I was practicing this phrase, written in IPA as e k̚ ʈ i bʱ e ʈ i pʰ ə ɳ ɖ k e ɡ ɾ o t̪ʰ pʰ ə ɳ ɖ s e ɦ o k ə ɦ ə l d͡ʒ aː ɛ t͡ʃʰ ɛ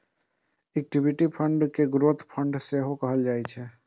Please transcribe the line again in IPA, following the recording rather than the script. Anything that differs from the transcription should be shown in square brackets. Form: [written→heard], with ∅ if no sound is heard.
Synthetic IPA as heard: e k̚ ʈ i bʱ [e→i] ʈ i pʰ ə ɳ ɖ k e ɡ ɾ o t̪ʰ pʰ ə ɳ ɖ s e ɦ o k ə ɦ ə l d͡ʒ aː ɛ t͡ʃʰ ɛ